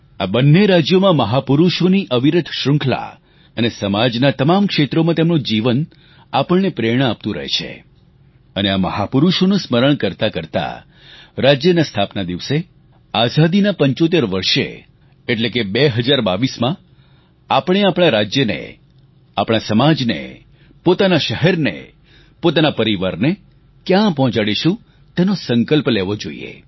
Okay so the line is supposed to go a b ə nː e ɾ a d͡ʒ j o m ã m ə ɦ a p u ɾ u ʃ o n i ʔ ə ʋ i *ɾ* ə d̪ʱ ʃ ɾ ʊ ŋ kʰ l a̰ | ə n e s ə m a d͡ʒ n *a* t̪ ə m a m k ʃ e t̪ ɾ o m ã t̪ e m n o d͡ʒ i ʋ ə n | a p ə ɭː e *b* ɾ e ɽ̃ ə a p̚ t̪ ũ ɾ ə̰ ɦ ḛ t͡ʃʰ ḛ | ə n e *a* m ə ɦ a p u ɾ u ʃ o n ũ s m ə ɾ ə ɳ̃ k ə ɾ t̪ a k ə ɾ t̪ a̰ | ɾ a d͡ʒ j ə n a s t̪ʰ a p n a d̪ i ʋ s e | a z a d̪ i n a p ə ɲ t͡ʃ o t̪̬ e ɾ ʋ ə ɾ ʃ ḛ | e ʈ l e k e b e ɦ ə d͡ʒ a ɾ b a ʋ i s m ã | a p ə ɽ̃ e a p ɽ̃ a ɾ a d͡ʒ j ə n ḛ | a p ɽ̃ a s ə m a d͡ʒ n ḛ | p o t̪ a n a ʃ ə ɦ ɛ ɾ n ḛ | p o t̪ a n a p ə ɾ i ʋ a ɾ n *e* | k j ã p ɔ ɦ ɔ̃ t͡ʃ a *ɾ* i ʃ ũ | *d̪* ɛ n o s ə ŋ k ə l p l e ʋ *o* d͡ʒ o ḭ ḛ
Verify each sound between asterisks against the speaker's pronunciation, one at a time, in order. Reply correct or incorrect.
correct, correct, incorrect, correct, correct, incorrect, incorrect, correct

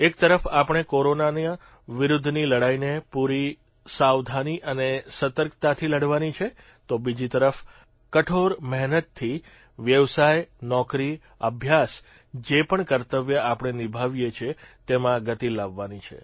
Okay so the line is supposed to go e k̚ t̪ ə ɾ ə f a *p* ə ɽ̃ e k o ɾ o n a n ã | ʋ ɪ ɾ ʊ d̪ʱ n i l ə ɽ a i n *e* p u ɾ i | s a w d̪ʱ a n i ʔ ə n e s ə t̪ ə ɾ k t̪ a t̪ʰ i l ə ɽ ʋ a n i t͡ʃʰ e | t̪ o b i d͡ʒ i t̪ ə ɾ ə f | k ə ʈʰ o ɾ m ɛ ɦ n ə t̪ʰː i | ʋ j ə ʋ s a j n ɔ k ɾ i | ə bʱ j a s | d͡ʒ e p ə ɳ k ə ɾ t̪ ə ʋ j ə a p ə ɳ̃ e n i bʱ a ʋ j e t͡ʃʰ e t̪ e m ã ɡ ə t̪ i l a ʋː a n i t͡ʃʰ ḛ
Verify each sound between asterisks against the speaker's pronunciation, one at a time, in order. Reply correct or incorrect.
correct, correct

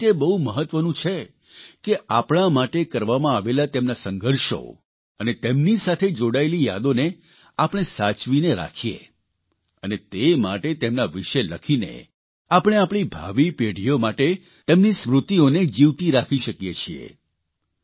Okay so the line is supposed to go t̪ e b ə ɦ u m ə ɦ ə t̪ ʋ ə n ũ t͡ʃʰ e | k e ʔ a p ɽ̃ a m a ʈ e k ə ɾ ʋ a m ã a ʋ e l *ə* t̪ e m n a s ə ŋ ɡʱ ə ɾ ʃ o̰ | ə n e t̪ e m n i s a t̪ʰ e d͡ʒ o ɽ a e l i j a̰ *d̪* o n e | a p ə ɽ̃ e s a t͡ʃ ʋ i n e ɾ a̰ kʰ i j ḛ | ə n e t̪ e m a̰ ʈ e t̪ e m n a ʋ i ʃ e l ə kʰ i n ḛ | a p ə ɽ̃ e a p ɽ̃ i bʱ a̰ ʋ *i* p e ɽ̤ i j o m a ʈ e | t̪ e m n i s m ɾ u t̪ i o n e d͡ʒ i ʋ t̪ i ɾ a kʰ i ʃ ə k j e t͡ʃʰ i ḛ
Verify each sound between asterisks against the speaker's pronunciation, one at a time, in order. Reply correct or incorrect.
incorrect, correct, correct

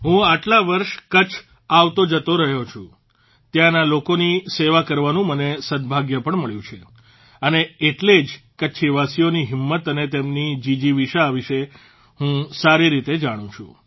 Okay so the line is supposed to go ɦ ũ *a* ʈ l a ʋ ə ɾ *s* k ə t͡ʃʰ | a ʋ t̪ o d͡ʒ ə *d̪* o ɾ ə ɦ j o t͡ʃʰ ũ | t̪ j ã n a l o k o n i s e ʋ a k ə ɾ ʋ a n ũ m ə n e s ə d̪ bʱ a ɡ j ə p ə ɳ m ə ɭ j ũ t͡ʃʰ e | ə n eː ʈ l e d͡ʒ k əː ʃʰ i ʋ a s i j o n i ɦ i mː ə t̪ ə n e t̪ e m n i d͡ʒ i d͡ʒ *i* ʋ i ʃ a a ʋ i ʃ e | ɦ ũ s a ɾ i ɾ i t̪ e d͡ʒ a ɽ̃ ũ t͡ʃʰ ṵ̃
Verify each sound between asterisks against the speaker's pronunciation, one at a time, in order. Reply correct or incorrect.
correct, incorrect, incorrect, correct

